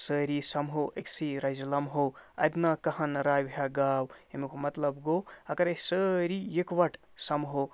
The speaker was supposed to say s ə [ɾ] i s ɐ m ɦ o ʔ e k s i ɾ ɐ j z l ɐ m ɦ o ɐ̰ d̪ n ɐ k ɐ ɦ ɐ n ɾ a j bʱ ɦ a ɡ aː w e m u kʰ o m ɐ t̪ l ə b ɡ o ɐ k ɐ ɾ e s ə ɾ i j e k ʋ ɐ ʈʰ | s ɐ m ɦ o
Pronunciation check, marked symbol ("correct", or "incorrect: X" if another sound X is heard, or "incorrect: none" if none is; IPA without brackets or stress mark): correct